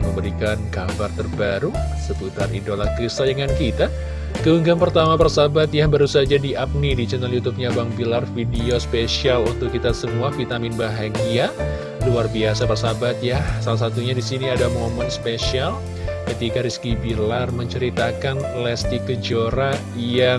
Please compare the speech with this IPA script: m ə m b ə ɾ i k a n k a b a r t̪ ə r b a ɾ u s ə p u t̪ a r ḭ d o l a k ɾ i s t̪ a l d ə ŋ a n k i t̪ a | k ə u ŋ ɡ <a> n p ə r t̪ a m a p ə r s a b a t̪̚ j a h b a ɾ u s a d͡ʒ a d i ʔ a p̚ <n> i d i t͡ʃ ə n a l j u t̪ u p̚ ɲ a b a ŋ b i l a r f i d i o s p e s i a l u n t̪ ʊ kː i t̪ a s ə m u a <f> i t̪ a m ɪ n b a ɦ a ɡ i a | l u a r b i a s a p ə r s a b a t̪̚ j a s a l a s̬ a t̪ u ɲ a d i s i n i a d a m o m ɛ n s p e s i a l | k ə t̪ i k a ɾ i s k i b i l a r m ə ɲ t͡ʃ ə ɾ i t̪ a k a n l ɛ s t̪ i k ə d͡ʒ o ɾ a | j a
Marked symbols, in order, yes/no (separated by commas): yes, yes, yes